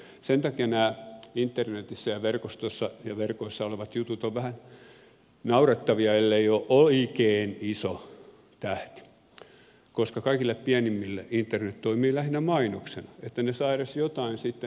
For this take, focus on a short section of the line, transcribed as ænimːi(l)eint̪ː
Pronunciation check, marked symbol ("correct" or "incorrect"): incorrect